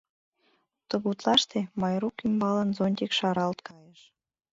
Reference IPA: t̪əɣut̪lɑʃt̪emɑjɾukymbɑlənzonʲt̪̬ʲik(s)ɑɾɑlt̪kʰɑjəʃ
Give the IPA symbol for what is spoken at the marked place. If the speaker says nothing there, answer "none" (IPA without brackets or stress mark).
ʃ